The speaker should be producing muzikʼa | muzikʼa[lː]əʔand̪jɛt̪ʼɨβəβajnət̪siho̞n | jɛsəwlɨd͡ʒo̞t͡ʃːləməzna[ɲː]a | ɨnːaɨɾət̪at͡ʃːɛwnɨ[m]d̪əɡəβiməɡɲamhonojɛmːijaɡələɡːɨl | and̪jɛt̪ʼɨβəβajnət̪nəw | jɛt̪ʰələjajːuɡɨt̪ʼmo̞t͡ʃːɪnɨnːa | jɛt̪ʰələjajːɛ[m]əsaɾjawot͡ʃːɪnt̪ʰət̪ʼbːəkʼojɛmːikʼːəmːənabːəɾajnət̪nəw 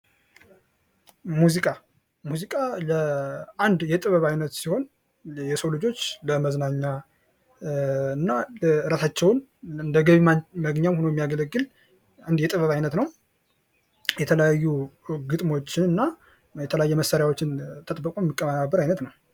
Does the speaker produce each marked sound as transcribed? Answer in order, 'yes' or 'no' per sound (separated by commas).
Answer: no, yes, no, yes